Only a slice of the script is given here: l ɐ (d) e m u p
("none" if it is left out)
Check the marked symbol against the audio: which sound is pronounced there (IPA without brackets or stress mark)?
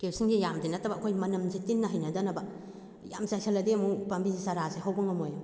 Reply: d